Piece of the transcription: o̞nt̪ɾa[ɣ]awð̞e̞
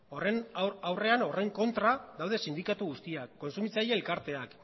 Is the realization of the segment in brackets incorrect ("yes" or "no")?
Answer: yes